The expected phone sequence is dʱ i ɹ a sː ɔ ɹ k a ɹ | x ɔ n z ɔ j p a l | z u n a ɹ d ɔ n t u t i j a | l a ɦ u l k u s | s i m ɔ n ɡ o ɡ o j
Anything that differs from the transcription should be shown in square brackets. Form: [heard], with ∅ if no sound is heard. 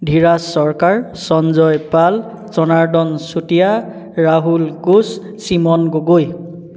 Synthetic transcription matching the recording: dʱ i ɹ a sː ɔ ɹ k a ɹ | [s] ɔ n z ɔ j p a l | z [ɔ] n a ɹ d ɔ n [s] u t i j a | [ɹ] a ɦ u l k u s | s i m ɔ n ɡ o ɡ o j